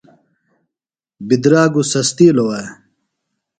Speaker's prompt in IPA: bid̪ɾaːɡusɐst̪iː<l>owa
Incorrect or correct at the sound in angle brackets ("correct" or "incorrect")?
correct